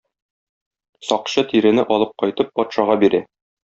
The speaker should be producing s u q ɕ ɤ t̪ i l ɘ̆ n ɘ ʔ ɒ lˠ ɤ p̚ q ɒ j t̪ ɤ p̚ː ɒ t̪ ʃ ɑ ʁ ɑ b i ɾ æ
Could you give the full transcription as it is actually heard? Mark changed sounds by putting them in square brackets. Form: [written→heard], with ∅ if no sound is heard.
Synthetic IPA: s [u→ɒ] q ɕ ɤ t̪ i [l→ɾ] ɘ̆ n ɘ ʔ ɒ lˠ ɤ p̚ q ɒ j t̪ ɤ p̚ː ɒ t̪ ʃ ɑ ʁ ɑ b i ɾ æ